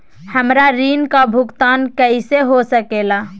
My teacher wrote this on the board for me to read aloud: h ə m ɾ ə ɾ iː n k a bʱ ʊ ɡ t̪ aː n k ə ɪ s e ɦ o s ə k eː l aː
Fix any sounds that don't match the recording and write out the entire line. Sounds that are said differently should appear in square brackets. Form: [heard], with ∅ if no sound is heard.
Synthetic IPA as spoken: h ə m ɾ [a] ɾ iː n k a bʱ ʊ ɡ t̪ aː n k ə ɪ s e ɦ o s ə k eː l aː